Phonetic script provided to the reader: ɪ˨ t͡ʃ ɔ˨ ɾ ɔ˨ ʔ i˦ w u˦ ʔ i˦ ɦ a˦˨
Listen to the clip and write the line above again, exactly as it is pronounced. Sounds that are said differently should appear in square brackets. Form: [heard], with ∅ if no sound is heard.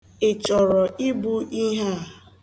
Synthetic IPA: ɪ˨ t͡ʃ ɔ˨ ɾ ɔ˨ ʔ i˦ [b] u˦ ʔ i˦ ɦ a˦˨